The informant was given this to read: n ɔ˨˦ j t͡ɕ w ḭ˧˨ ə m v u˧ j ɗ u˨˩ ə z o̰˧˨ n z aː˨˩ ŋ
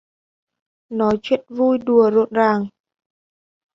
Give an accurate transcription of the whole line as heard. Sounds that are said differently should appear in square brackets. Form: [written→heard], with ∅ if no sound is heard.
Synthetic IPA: n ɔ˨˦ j t͡ɕ w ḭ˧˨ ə [m→n] v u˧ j ɗ u˨˩ ə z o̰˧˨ n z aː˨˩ ŋ

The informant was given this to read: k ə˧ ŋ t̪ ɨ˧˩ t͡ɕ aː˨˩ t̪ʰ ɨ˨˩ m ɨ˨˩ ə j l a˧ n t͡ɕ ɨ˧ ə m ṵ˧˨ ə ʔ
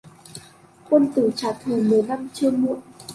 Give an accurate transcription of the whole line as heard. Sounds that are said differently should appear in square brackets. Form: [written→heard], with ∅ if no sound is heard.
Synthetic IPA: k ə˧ [ŋ→n] t̪ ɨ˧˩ t͡ɕ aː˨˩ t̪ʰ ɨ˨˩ m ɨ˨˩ ə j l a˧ [n→m] t͡ɕ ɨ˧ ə m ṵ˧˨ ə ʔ

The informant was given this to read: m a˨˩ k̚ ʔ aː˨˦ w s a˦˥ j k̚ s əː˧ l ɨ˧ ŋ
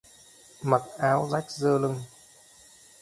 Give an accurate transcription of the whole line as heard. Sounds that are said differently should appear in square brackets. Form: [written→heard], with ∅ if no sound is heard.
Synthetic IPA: m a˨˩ [k̚→t̚] ʔ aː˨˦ w [s→z] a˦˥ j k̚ [s→z] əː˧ l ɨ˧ ŋ

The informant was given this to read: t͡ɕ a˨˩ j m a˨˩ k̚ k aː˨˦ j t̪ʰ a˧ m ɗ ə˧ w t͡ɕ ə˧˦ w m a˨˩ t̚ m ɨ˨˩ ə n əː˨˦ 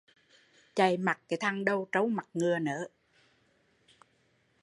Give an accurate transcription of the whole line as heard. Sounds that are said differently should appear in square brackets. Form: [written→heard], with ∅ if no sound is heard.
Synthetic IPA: t͡ɕ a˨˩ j m a˨˩ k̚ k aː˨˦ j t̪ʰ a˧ [m→ŋ] ɗ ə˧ w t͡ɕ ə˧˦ w m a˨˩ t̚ [m→ŋ] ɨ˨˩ ə n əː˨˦

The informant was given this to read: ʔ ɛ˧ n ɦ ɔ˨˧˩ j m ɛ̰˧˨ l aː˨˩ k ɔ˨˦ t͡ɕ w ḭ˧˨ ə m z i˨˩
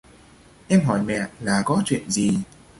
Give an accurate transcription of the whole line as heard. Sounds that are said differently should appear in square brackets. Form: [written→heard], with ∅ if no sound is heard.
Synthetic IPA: ʔ ɛ˧ [n→m] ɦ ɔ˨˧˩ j m ɛ̰˧˨ l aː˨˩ k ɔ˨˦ t͡ɕ w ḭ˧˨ ə [m→n] z i˨˩

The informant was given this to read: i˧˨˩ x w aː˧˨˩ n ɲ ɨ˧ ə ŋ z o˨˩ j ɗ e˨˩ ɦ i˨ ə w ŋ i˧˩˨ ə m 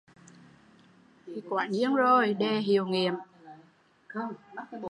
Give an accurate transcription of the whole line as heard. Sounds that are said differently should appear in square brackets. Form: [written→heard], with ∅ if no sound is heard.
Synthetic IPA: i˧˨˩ [x→k] w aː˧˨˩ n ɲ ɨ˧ ə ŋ z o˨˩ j ɗ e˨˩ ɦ i˨ ə w ŋ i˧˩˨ ə m

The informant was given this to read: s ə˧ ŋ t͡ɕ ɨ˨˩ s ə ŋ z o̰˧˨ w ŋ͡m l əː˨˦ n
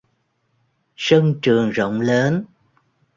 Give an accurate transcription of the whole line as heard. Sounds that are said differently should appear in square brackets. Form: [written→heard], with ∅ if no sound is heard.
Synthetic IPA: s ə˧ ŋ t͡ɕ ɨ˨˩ [s→∅] ə ŋ z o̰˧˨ w ŋ͡m l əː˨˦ n

